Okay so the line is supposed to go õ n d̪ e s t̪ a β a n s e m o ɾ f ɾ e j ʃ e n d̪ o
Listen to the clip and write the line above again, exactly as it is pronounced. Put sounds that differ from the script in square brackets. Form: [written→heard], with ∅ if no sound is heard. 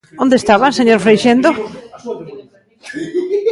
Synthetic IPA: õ n d̪ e s t̪ a β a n s e [m→ɲ] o ɾ f ɾ e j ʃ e n d̪ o

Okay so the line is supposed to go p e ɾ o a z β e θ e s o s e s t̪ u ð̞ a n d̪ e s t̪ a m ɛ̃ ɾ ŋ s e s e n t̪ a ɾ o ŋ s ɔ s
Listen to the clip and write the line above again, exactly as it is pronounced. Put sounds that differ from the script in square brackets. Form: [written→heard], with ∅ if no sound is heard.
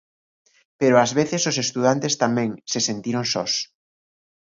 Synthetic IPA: p e ɾ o a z β e θ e s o s e s t̪ u ð̞ a n [d̪→t̪] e s t̪ a m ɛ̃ [ɾ→∅] ŋ s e s e n t̪ [a→i] ɾ o ŋ s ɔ s

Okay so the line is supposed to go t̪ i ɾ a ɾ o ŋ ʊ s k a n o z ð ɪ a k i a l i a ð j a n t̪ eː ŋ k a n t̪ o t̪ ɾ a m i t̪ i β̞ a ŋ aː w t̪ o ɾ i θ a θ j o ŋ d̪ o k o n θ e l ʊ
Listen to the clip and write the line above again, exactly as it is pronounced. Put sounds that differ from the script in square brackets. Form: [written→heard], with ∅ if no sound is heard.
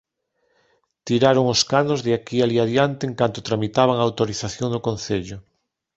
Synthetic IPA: t̪ i ɾ a ɾ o ŋ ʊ s k a n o z ð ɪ a k i a l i a ð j a n t̪ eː ŋ k a n t̪ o t̪ ɾ a m i t̪ [i→a] β̞ a ŋ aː w t̪ o ɾ i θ a θ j o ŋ d̪ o k o n θ e [l→ʎ] ʊ

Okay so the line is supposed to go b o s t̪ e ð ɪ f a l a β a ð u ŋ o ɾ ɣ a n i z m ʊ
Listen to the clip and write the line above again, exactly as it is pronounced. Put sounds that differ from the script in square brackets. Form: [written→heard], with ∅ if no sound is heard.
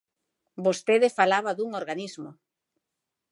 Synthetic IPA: b o s t̪ e ð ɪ f a l a β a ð u ŋ o ɾ ɣ a n i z m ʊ

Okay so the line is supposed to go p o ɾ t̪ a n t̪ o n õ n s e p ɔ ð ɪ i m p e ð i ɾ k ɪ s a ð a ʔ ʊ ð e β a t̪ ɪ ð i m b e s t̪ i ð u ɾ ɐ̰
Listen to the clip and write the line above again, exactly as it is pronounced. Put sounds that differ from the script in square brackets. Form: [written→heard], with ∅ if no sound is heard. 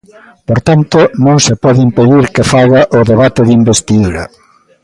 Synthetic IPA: p o ɾ t̪ a n t̪ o n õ [n→ŋ] s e p ɔ ð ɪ i m p e ð i ɾ k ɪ [s→f] a [ð→ɣ] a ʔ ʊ ð e β a t̪ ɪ ð i m b e s t̪ i ð u ɾ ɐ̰

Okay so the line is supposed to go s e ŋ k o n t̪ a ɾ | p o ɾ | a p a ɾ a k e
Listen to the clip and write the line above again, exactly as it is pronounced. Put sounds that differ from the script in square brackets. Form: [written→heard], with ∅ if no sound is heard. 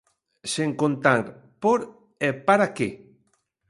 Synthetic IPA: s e ŋ k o n t̪ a ɾ | p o ɾ | [a→e] p a ɾ a k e

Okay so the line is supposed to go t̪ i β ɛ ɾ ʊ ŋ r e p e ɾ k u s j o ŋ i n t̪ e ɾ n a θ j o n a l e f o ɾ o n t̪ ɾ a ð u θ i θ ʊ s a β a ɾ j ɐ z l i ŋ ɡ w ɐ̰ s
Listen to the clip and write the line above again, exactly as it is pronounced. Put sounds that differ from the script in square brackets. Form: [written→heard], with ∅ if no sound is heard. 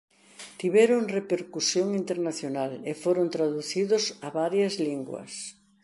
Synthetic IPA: t̪ i β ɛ ɾ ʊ ŋ r e p e ɾ k u s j o ŋ i n t̪ e ɾ n a θ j o n a l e f o ɾ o n t̪ ɾ a ð u θ i [θ→ð] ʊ s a β a ɾ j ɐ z l i ŋ ɡ w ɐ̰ s

